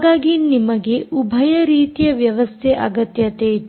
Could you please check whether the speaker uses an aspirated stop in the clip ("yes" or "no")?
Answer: yes